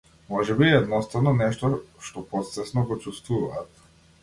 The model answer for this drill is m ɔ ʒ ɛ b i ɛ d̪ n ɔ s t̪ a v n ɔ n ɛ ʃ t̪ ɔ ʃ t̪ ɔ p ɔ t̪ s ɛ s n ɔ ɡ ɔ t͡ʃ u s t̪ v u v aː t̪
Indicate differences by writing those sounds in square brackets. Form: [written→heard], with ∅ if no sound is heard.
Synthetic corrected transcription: m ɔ ʒ ɛ b i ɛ d̪ n ɔ s t̪ a v n ɔ n ɛ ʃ t̪ ɔ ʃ t̪ ɔ p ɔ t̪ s ɛ s n ɔ ɡ ɔ t͡ʃ u s t̪ v u v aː t̪